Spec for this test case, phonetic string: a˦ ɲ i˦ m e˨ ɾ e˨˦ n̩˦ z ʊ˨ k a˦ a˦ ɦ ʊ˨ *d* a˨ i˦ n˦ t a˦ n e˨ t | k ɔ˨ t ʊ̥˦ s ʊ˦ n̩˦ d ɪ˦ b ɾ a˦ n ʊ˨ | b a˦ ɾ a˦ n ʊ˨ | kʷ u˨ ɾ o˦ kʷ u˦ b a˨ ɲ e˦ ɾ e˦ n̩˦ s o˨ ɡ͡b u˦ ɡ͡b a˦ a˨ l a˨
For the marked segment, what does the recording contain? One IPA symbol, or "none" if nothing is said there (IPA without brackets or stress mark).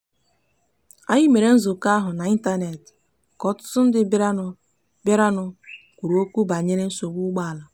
n